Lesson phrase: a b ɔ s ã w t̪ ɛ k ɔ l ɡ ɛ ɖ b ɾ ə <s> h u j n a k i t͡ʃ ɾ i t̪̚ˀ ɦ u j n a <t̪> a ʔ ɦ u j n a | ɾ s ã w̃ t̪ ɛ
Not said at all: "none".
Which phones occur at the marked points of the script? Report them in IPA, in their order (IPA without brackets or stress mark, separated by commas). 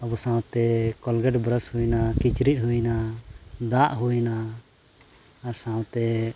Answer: s, d̪